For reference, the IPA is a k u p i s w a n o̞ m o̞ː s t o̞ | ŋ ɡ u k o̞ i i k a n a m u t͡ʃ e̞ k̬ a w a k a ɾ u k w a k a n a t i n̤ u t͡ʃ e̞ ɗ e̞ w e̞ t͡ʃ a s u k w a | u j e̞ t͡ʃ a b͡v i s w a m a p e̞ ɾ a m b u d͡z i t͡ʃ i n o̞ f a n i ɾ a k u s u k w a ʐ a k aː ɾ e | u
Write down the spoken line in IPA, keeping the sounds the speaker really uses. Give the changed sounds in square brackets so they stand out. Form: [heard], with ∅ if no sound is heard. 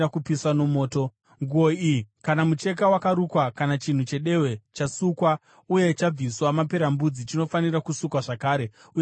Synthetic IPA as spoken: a k u p i s w a n o̞ m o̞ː [∅] t o̞ | ŋ ɡ u [∅] o̞ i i k a n a m u t͡ʃ e̞ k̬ a w a k a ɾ u k w a k a n a [t͡ʃ] i n̤ u t͡ʃ e̞ ɗ e̞ w e̞ t͡ʃ a s u k w a | u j e̞ t͡ʃ a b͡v i s w a m a p e̞ ɾ a m b u d͡z i t͡ʃ i n o̞ f a n i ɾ a k u s u k w a ʐ a k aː ɾ e | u